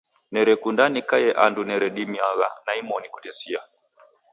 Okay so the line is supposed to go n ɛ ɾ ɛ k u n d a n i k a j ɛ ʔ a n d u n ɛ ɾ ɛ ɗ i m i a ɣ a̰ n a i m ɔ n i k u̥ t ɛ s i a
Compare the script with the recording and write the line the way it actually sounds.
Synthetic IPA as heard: n ɛ ɾ ɛ k u n d a n i k a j ɛ ʔ a n d u n ɛ ɾ ɛ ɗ i m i a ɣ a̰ n a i m ɔ n i k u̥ t ɛ s i a